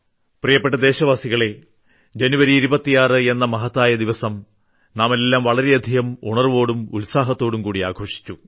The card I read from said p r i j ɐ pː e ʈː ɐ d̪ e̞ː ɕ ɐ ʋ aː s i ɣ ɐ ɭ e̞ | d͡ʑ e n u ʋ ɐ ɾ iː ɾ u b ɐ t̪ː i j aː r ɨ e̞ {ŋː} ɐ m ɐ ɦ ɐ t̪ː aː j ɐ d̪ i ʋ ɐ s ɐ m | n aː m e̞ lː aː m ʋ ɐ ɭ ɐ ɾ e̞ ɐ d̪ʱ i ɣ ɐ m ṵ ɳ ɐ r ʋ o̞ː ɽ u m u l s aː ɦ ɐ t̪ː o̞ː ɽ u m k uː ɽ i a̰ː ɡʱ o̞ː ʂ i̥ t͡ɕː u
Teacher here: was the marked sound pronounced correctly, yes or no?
no